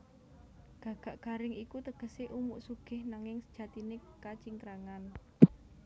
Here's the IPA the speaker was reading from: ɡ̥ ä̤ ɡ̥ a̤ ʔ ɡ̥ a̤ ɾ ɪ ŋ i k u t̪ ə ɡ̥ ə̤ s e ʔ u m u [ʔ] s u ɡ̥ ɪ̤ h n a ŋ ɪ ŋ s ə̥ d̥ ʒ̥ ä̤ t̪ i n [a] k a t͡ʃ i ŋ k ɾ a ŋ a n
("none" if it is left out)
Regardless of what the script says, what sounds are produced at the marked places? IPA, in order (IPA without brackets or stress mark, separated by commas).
ʔ, e